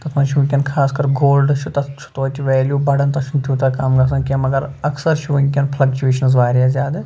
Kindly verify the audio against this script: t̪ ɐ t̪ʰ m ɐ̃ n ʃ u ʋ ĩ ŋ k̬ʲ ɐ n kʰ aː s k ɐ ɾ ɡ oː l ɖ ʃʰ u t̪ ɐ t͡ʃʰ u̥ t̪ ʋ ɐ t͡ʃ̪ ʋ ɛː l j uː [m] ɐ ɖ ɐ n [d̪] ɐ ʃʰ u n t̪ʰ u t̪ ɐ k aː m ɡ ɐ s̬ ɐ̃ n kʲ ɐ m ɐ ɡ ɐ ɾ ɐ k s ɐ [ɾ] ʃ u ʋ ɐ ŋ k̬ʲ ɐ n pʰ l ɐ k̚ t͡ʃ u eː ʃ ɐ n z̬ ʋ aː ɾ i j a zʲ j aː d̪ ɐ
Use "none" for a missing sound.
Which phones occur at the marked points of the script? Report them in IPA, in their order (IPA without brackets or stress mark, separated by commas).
b, t̪, ɾ